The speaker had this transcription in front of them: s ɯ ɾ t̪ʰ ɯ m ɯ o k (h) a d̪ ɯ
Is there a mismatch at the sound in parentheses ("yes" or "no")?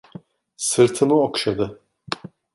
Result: yes